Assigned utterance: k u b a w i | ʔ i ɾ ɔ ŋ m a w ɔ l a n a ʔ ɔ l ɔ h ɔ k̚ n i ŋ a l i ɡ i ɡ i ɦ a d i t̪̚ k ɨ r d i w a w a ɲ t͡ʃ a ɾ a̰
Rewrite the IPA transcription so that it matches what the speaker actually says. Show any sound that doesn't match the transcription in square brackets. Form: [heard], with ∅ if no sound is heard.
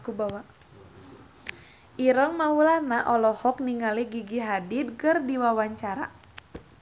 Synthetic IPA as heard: k u b a w [a] | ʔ i ɾ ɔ ŋ m a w [u] l a n a ʔ ɔ l ɔ h ɔ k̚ n i ŋ a l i ɡ i ɡ i ɦ a d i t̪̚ k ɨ r d i w a w a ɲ t͡ʃ a ɾ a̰